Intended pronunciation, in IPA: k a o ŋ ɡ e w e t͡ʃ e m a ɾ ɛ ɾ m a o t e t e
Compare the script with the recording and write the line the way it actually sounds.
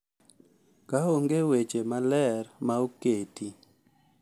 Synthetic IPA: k a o ŋ ɡ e w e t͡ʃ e m a l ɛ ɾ m a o k e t i